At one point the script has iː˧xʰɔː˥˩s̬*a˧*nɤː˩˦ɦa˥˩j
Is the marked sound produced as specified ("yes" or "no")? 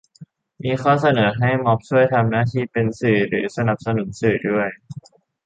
yes